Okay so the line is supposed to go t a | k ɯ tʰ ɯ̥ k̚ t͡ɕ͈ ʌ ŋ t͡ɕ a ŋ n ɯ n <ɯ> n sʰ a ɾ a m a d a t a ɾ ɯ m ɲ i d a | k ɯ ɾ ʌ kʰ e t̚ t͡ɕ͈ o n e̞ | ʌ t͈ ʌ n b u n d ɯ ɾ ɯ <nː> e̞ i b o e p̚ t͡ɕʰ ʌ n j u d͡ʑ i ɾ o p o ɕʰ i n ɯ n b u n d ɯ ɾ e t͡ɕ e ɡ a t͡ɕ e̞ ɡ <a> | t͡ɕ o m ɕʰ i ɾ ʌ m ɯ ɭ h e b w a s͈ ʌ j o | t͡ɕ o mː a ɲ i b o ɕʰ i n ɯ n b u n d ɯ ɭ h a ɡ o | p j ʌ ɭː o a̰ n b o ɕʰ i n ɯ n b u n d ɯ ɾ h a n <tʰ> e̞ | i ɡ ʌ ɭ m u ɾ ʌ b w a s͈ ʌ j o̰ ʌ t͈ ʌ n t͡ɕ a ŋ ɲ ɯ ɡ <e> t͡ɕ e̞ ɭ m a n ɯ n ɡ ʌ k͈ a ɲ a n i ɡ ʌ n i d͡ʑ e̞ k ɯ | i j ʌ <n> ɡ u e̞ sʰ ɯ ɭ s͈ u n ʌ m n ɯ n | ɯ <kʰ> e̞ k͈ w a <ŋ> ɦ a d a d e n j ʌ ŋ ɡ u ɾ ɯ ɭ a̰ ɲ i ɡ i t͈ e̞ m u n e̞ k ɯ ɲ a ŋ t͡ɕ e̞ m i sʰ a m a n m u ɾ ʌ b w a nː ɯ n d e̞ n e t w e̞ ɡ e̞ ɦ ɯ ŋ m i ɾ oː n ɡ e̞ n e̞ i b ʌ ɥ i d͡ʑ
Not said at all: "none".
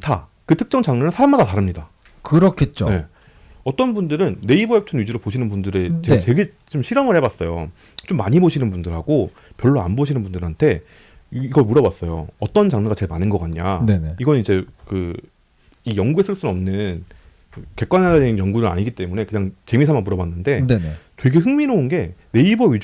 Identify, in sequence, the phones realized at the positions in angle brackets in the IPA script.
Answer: ɯ, nː, e, tʰ, a, ŋ, k, n

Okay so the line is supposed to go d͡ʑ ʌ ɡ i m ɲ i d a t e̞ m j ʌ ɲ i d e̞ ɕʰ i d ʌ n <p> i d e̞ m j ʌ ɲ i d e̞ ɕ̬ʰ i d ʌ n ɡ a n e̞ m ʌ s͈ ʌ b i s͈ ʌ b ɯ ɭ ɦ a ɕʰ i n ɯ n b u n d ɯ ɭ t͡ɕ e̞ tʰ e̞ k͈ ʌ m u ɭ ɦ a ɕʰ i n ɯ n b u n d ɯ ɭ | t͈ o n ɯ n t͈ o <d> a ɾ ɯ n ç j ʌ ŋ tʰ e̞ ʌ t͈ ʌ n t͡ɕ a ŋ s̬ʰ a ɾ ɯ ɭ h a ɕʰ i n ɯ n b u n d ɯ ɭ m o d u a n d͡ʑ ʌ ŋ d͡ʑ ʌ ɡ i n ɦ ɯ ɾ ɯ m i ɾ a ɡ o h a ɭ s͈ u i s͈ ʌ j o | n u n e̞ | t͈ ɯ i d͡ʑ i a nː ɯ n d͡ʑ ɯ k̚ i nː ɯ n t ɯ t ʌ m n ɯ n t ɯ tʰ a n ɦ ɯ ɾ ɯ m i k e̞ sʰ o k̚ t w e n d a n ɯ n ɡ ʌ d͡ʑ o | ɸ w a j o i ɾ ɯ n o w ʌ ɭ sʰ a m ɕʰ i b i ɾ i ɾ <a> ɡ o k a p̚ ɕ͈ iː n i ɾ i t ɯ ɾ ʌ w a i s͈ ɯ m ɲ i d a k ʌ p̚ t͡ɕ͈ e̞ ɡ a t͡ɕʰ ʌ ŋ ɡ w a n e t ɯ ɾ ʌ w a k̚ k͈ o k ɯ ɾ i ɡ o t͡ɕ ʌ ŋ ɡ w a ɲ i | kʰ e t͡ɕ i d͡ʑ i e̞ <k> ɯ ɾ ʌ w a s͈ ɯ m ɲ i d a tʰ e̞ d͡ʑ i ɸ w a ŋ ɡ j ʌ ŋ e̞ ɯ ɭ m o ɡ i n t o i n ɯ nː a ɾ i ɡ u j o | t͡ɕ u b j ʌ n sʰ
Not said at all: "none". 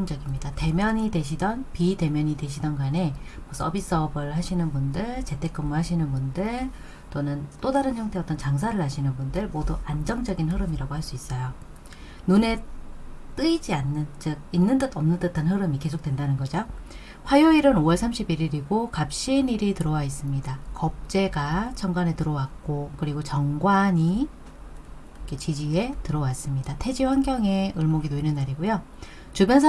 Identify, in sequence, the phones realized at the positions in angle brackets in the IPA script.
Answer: p, d, i, t

